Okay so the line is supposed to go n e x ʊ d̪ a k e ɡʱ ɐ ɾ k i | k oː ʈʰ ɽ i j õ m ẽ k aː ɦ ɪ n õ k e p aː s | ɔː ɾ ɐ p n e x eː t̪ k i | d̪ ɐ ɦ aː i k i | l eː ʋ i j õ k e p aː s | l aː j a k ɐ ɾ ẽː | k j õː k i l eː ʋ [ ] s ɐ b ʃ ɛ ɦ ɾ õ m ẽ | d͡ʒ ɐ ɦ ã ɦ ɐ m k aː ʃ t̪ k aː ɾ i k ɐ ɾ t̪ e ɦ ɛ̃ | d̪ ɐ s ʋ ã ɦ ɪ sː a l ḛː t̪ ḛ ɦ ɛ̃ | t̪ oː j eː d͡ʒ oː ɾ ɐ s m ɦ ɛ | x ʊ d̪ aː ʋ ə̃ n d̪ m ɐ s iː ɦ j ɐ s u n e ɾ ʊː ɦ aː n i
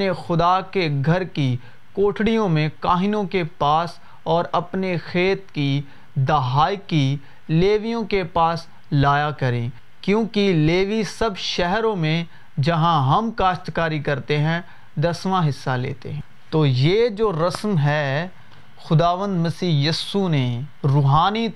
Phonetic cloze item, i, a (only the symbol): i